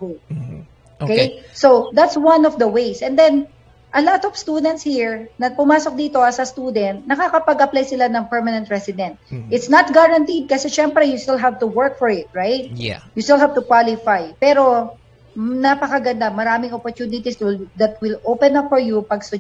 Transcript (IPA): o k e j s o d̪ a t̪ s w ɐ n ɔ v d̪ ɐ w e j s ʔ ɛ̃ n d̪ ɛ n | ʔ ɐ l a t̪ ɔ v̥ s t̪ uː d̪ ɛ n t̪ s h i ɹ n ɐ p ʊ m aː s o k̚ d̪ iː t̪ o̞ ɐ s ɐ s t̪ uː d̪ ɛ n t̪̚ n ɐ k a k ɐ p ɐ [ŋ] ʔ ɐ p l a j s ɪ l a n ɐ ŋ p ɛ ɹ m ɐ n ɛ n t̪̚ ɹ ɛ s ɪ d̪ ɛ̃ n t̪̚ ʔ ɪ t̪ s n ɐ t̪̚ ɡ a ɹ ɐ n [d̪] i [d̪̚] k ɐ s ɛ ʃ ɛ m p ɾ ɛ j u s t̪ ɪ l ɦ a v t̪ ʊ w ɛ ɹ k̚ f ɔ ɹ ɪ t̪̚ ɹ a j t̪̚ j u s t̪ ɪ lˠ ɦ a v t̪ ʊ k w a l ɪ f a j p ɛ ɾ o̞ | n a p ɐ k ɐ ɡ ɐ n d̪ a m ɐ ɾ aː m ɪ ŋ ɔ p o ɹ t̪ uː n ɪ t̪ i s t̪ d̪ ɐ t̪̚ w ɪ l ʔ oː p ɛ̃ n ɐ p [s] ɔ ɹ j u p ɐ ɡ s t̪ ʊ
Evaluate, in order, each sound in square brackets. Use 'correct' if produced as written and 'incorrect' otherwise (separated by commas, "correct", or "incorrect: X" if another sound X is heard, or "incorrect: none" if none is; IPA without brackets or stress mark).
incorrect: ɡ, incorrect: t̪, correct, incorrect: f